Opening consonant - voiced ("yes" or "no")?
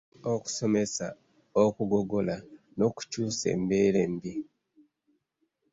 no